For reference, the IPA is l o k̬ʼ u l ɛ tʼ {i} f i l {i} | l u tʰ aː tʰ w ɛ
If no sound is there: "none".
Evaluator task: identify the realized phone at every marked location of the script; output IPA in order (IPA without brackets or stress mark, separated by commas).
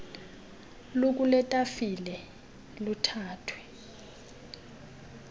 a, ɛ